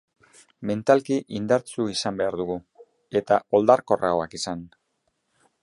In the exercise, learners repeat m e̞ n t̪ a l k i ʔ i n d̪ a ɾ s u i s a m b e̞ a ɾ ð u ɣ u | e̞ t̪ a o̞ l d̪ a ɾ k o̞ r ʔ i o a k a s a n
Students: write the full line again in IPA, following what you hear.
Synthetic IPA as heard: m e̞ n t̪ a l k i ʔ i n d̪ a ɾ t͡s u i s a m b e̞ a ɾ ð u ɣ u | e̞ t̪ a o̞ l d̪ a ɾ k o̞ r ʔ a o a k i s a n